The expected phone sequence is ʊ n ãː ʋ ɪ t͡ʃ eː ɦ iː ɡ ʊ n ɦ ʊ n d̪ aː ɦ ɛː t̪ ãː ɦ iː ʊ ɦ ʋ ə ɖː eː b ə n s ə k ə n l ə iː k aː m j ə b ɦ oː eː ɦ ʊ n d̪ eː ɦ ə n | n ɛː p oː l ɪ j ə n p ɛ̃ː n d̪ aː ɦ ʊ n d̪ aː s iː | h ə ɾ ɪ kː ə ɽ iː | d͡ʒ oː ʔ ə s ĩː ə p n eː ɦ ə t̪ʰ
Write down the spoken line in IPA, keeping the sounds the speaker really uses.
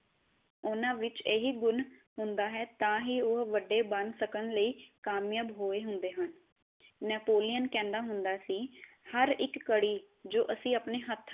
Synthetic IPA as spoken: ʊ n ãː ʋ ɪ t͡ʃ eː ɦ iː ɡ ʊ n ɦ ʊ n d̪ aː ɦ ɛː t̪ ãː ɦ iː ʊ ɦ ʋ ə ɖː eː b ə n s ə k ə n l ə iː k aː m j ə b ɦ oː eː ɦ ʊ n d̪ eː ɦ ə n | n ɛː p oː l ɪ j ə n k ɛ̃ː n d̪ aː ɦ ʊ n d̪ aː s iː | h ə ɾ ɪ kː ə ɽ iː | d͡ʒ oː ʔ ə s ĩː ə p n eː ɦ ə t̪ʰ